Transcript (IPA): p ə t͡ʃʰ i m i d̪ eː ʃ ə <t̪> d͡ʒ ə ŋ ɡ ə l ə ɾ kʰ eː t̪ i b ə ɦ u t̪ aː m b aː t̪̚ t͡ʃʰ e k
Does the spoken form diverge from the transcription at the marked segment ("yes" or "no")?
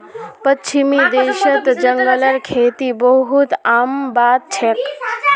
no